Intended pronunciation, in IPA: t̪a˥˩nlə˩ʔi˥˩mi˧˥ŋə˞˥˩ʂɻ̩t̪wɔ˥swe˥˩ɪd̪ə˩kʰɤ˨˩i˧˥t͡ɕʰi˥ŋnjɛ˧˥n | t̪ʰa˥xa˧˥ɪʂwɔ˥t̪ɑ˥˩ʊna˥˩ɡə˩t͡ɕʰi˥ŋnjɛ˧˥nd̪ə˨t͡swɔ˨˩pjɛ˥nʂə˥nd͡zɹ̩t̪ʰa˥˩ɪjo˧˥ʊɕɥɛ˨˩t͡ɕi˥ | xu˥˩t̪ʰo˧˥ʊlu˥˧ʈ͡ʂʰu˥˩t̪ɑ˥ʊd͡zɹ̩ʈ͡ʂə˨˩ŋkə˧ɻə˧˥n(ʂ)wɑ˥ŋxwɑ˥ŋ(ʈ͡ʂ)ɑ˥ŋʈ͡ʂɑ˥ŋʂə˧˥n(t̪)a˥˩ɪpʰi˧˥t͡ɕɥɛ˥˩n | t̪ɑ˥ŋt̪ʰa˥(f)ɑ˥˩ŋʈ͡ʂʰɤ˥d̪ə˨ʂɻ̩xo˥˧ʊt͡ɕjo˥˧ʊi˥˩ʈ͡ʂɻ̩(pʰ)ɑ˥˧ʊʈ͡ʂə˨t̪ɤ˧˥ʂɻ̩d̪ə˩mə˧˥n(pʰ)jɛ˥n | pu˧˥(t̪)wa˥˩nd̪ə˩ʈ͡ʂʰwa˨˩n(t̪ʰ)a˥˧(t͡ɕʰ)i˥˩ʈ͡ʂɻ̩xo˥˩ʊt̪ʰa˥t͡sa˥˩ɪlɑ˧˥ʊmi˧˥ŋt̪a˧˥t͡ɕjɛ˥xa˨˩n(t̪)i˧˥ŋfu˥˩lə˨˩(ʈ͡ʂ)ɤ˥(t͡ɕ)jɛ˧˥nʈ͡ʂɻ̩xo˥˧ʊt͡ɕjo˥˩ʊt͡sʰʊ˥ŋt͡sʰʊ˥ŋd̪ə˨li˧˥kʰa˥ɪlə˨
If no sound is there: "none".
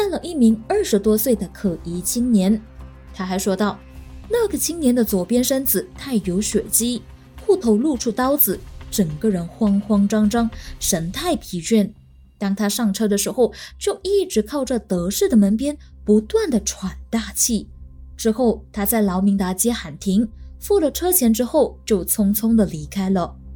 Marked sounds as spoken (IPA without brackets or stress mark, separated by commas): x, ʈ͡ʂ, t̪ʰ, ʂ, kʰ, p, t̪, t̪, t͡ɕʰ, t̪ʰ, ʈ͡ʂʰ, t͡ɕʰ